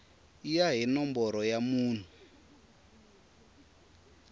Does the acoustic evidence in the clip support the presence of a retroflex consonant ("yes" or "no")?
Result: no